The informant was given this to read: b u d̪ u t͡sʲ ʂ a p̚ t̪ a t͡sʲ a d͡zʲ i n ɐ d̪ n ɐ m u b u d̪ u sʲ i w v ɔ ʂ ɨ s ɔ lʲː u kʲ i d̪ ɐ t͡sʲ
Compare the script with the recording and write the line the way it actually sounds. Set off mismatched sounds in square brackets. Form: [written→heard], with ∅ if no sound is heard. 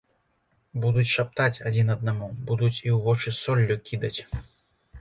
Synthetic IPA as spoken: b u d̪ u t͡sʲ ʂ a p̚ t̪ a t͡sʲ a d͡zʲ i n ɐ d̪ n [ɐ→a] m u b u d̪ u [sʲ→t͡sʲ] i w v ɔ [ʂ→t͡ʂ] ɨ s ɔ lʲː u kʲ i d̪ ɐ t͡sʲ